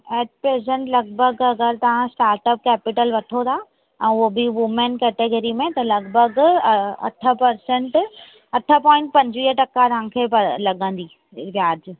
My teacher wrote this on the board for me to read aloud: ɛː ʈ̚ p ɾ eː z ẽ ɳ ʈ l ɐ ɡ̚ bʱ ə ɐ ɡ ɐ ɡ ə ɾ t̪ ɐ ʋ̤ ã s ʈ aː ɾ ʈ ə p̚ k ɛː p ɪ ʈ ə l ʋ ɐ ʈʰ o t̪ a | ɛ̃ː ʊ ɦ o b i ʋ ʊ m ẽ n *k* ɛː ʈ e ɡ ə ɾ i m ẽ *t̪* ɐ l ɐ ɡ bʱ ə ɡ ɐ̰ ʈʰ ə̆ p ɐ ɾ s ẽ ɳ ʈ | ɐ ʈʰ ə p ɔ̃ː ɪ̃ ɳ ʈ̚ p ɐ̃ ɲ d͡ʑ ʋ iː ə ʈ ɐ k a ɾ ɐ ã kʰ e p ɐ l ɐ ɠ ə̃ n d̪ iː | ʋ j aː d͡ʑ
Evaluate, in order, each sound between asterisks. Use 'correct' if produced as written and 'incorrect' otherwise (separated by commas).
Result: correct, correct